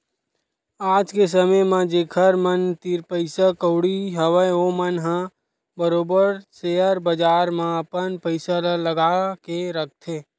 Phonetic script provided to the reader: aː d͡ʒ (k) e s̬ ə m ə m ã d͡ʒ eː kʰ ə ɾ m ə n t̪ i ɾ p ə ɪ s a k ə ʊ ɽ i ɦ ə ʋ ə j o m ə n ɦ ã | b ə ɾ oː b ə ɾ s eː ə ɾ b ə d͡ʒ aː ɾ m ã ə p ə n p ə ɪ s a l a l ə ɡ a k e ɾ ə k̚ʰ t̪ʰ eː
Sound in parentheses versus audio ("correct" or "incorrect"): correct